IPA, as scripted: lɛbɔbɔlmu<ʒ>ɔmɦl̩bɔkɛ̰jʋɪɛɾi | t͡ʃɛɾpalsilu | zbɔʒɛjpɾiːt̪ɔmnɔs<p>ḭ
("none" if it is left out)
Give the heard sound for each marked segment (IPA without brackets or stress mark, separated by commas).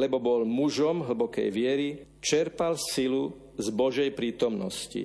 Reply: ʒ, c